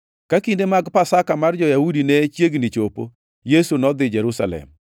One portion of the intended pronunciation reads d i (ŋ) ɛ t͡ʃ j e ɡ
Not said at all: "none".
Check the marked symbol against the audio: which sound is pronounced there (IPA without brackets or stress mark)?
n